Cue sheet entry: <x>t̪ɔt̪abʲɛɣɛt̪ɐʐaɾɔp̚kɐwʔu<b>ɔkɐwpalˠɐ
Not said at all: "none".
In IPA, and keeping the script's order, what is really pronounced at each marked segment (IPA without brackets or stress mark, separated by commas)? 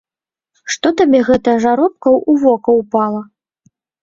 ʂ, v